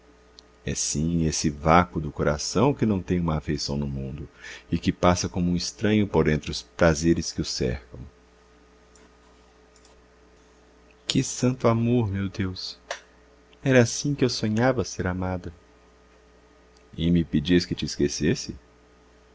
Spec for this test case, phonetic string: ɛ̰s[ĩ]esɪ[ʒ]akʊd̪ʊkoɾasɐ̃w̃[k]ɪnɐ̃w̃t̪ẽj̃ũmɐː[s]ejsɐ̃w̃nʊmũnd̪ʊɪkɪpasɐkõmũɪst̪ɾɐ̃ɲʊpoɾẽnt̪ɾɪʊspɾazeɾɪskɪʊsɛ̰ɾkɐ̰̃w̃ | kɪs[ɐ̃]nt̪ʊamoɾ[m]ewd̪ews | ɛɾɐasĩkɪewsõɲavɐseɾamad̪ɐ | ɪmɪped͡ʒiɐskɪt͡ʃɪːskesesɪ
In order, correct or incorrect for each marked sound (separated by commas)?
correct, incorrect, correct, incorrect, correct, correct